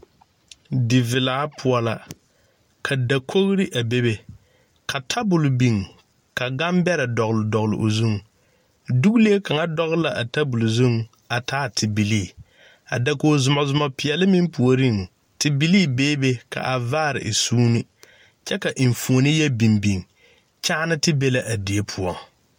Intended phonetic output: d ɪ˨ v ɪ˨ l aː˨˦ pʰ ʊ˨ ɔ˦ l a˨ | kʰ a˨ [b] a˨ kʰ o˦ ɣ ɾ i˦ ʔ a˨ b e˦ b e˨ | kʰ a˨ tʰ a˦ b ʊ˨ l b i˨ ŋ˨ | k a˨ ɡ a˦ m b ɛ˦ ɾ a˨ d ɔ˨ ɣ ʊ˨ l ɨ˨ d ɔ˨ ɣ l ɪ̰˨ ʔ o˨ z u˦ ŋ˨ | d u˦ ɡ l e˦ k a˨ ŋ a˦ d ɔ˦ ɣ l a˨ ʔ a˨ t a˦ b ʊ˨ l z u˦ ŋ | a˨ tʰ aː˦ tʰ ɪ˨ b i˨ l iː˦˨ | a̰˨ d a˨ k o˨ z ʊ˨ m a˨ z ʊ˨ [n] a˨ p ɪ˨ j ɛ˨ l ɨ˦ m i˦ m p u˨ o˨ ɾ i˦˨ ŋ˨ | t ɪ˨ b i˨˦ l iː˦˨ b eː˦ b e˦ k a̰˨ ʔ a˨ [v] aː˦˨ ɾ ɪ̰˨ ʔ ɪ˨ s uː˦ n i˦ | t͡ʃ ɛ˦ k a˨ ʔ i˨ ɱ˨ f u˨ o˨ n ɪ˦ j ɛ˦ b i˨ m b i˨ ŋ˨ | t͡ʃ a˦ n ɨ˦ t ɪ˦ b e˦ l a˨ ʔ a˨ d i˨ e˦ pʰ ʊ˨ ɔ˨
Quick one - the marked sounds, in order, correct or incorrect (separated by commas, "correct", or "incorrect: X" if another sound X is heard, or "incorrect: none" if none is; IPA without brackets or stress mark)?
incorrect: d, incorrect: m, correct